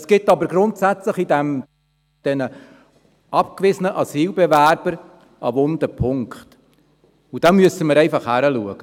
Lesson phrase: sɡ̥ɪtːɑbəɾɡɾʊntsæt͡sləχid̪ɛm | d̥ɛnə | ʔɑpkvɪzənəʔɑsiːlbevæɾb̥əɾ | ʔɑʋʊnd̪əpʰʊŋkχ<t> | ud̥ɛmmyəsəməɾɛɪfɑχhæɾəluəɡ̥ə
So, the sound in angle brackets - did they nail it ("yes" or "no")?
yes